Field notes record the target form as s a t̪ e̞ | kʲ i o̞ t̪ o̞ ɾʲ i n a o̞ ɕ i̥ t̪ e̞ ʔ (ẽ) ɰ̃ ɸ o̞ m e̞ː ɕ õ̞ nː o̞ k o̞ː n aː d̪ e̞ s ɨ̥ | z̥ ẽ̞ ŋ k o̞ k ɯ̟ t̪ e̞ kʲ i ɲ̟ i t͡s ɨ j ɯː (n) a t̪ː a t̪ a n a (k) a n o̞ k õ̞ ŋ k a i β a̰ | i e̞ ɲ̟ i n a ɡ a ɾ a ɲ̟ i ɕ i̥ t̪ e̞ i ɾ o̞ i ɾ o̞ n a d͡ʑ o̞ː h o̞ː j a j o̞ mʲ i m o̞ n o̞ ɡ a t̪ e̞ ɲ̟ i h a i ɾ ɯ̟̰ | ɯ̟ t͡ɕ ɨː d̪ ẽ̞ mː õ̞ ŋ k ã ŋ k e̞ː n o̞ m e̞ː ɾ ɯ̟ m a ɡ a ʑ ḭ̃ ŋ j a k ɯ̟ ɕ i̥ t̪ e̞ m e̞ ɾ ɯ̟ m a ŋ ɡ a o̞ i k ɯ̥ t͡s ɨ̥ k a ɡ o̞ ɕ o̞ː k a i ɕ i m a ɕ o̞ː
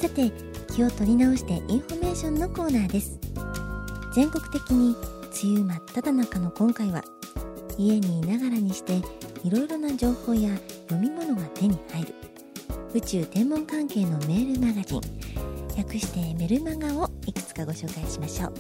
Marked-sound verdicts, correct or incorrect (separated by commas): incorrect, incorrect, correct